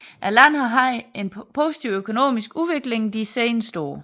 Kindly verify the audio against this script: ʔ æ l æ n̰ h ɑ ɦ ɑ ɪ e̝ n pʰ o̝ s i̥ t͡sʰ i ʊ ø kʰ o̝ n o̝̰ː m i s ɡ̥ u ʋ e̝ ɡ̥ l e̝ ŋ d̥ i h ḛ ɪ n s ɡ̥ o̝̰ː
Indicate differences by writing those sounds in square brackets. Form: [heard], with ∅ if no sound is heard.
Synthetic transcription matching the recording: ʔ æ l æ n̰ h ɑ ɦ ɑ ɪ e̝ n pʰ o̝ s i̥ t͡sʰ i ʊ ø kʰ o̝ n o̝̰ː m i s ɡ̥ u ʋ e̝ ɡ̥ l e̝ ŋ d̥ i [s] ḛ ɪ n s [d̥] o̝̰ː